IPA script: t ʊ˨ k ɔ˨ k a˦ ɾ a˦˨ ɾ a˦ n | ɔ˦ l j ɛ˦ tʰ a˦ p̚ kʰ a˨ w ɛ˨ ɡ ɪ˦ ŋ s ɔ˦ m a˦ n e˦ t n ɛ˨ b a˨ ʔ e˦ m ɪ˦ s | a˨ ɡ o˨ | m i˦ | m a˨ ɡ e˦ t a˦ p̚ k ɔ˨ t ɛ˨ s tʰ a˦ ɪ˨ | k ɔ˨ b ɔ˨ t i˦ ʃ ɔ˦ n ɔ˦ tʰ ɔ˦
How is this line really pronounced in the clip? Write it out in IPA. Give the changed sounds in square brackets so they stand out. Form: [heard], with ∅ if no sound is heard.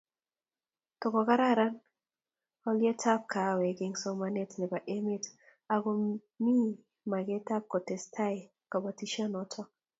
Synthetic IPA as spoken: t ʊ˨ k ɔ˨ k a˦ ɾ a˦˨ ɾ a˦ n | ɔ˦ l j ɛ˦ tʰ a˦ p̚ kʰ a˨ w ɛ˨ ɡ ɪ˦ ŋ s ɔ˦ m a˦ n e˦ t n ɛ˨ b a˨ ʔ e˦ m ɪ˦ [t] | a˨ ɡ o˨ | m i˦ | m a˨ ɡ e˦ t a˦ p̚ k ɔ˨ t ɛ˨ s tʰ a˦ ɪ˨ | k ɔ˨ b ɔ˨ t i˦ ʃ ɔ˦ n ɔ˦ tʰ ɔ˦